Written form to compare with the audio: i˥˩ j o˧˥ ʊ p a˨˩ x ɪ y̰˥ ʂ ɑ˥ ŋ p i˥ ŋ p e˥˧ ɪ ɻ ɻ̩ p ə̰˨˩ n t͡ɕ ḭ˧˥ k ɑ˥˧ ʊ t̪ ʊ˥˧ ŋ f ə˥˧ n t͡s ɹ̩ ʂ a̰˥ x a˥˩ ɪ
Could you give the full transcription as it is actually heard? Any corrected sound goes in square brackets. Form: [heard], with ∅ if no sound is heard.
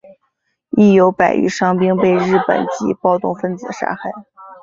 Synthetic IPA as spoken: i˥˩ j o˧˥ ʊ p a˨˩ [∅] ɪ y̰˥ ʂ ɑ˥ ŋ p i˥ ŋ p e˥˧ ɪ ɻ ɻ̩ p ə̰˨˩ n t͡ɕ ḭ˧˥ [p] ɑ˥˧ ʊ t̪ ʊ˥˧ ŋ f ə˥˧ n t͡s ɹ̩ ʂ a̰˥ x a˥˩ ɪ